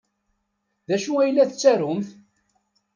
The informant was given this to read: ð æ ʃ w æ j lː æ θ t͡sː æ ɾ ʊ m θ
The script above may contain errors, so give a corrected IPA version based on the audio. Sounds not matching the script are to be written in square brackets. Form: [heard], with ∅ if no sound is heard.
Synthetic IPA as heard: ð æ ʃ [u] æ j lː æ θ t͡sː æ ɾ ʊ m θ